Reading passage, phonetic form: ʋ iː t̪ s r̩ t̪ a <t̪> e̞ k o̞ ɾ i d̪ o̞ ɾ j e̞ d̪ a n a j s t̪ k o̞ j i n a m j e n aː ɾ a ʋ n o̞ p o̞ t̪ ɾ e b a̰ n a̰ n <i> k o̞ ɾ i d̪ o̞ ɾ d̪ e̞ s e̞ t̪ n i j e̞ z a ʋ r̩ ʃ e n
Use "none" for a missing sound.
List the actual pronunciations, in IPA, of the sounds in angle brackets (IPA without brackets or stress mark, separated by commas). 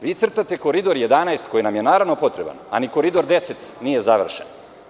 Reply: t̪, i